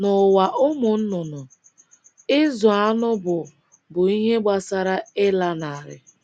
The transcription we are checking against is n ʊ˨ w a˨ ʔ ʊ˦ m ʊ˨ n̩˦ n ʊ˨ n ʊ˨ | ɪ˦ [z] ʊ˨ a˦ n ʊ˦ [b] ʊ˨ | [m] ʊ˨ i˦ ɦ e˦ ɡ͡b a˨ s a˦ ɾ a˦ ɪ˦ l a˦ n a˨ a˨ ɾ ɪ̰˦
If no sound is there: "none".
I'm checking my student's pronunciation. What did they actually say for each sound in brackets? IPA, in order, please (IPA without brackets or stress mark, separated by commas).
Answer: z, b, b